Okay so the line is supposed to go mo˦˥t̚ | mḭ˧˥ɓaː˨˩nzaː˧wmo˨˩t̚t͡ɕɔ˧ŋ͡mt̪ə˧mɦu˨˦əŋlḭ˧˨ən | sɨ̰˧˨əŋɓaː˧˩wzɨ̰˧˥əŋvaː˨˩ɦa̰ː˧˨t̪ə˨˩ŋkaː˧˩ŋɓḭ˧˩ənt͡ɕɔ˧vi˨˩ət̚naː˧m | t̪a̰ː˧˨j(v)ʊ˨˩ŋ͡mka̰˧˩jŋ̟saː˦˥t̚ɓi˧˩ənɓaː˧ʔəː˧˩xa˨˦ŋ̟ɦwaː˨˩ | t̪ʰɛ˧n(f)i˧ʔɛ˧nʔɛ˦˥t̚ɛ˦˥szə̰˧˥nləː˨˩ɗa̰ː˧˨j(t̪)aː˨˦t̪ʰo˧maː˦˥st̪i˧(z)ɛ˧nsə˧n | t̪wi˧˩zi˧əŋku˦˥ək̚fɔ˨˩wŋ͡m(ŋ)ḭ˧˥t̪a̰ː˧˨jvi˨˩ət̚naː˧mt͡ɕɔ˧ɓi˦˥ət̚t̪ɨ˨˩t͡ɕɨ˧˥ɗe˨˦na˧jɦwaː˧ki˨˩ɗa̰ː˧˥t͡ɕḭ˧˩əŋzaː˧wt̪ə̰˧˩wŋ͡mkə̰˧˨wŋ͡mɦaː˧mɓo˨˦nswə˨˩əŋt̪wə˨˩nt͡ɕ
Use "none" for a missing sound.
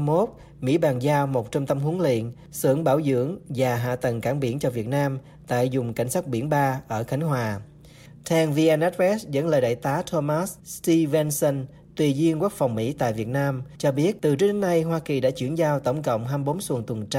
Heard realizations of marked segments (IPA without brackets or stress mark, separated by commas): z, v, t̪, v, m